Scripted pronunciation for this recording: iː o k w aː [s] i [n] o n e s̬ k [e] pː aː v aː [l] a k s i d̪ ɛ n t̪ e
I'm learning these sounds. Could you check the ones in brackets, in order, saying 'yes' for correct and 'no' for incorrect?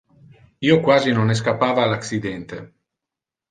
no, yes, no, yes

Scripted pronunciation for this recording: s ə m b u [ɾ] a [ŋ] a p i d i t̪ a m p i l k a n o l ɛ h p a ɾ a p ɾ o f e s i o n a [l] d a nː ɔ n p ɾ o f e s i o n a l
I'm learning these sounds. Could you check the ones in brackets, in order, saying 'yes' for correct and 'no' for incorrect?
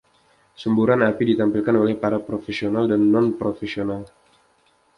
yes, no, yes

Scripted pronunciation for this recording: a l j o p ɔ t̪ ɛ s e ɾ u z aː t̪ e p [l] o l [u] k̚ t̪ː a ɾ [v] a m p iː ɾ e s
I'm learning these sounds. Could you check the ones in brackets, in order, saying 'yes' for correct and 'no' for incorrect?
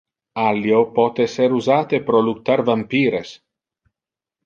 no, yes, yes

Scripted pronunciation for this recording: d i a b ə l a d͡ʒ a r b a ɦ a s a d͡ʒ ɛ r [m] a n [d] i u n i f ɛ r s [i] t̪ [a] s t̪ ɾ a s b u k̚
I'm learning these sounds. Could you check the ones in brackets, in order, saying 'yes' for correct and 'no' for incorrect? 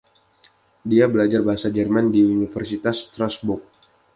yes, yes, yes, yes

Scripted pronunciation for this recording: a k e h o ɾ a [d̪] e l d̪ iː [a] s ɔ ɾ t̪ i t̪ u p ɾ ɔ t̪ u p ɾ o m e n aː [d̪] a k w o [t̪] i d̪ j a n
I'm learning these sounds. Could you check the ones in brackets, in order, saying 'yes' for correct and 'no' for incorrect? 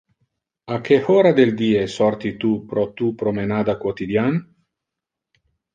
yes, no, yes, yes

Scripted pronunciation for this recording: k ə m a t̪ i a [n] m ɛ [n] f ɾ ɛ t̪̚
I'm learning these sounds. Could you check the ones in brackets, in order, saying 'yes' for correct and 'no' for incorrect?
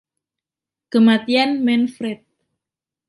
yes, yes

